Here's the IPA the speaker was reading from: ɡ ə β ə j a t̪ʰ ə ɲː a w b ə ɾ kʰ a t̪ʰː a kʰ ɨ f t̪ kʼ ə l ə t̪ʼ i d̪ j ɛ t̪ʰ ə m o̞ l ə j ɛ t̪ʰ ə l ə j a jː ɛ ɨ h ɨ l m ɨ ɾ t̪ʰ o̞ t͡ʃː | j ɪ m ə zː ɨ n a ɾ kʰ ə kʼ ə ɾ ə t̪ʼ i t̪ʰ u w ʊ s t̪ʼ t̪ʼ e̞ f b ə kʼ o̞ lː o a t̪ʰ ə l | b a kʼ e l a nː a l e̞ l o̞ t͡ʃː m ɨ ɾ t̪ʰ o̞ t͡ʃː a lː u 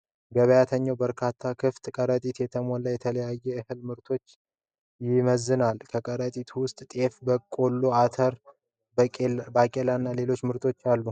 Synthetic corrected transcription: ɡ ə β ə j a t̪ʰ ə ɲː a w b ə ɾ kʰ a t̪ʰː a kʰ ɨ f t̪ kʼ ə ɾ ə t̪ʼ i t̪ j ɛ t̪ʰ ə m o̞ l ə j ɛ t̪ʰ ə l ə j a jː ɛ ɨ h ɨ l m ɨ ɾ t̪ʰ o̞ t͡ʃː | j ɪ m ə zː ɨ n a l kʰ ə kʼ ə ɾ ə t̪ʼ i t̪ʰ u w ʊ s t̪ʼ t̪ʼ e̞ f b ə kʼ o̞ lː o a t̪ʰ ə ɾ | b a kʼ e l a nː a l e̞ l o̞ t͡ʃː m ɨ ɾ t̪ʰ o̞ t͡ʃː a lː u